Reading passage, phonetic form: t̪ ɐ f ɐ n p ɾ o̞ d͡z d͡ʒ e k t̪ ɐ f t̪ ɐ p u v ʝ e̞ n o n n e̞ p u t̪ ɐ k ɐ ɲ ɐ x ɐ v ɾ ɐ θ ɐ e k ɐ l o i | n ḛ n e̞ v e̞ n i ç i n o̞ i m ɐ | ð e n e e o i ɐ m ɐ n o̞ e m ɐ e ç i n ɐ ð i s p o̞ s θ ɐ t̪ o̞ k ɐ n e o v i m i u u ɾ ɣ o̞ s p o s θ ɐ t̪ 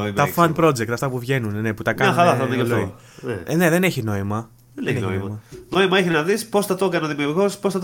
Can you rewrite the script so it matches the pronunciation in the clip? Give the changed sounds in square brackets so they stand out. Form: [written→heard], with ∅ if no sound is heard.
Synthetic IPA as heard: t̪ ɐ f ɐ n p ɾ o̞ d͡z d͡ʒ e k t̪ ɐ f t̪ ɐ p u v ʝ e̞ n [o→u] n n e̞ p u t̪ ɐ k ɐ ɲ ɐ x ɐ [v→∅] ɾ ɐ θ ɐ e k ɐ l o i | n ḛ n e̞ [v→ð] e̞ n [i→e] ç i n o̞ i m ɐ | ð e n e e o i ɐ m ɐ n o̞ [e→i] m ɐ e ç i n ɐ ð i s p o̞ s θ ɐ t̪ o̞ k ɐ n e o [v→ð] i m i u u ɾ ɣ o̞ s p o s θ ɐ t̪